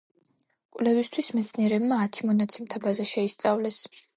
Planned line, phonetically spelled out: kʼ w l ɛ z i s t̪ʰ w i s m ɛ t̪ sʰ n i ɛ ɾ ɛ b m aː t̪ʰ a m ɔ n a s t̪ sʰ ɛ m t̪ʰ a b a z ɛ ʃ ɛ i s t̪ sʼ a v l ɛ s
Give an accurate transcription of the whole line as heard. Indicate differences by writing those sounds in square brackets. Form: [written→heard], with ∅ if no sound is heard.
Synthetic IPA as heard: kʼ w l ɛ [z→v] i s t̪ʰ w i s m ɛ t̪ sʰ n i ɛ ɾ ɛ b m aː t̪ʰ [a→i] m ɔ n a [s→∅] t̪ sʰ ɛ m t̪ʰ a b a z [ɛ→a] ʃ ɛ i s t̪ sʼ a v l ɛ s